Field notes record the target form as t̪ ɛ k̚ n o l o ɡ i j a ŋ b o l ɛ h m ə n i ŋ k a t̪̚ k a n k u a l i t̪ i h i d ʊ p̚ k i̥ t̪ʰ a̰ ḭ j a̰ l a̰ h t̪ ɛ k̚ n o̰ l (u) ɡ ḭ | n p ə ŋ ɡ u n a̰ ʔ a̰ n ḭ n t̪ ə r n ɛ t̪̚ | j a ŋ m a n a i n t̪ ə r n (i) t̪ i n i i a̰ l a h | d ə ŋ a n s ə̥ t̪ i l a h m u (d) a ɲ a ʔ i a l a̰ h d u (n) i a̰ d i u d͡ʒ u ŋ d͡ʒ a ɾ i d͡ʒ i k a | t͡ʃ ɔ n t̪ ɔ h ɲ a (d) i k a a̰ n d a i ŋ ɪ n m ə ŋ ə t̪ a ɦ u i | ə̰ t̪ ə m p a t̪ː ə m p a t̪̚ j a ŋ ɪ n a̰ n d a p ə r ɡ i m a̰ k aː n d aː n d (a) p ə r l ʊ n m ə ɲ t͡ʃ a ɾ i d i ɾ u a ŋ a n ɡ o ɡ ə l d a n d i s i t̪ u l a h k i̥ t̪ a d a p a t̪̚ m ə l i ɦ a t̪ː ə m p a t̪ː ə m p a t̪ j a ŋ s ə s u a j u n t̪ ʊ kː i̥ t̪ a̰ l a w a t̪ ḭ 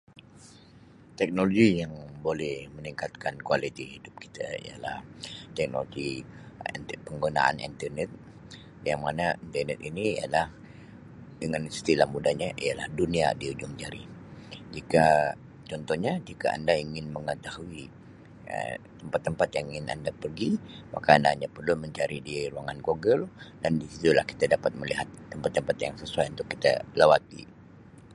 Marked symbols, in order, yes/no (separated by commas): no, no, yes, yes, no, yes